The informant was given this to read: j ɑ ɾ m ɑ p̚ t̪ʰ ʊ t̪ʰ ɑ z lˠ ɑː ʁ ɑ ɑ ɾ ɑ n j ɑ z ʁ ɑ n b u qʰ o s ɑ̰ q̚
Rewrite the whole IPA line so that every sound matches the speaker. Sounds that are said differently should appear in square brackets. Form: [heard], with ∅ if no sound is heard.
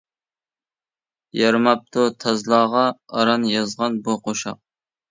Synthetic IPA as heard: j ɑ ɾ m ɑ p̚ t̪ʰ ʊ t̪ʰ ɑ z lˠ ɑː ʁ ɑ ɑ ɾ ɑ n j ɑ z ʁ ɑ n b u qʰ o [ʃ] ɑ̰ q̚